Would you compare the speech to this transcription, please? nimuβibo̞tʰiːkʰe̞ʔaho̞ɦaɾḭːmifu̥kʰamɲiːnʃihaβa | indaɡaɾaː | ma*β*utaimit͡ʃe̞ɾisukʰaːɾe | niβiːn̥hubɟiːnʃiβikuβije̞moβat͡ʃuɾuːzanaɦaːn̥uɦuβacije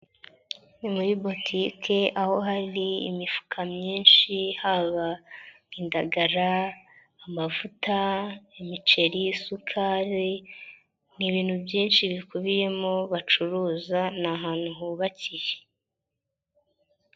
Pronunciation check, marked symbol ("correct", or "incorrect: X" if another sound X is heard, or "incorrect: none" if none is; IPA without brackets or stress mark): incorrect: v